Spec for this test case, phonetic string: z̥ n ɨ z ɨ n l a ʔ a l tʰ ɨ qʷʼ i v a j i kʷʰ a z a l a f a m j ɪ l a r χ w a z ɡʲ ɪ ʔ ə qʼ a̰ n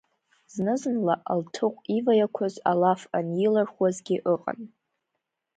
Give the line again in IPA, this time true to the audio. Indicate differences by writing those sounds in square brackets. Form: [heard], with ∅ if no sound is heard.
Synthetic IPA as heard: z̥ n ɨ z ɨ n l a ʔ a l tʰ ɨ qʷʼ i v a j [a] kʷʰ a z a l a f a [n] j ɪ l a r χ w a z ɡʲ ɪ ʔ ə qʼ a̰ n